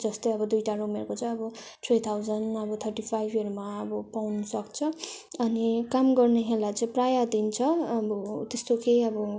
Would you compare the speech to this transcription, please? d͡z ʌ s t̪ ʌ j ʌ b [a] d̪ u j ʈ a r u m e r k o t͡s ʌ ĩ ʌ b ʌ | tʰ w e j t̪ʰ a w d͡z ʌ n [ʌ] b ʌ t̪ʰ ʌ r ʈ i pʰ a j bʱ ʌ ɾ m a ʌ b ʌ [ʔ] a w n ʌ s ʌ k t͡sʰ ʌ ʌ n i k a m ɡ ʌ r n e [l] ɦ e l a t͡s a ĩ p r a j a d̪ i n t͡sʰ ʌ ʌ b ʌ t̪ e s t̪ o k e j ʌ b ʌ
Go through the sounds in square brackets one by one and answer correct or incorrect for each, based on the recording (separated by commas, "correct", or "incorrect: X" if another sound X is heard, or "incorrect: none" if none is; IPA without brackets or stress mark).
incorrect: ʌ, correct, incorrect: p, incorrect: none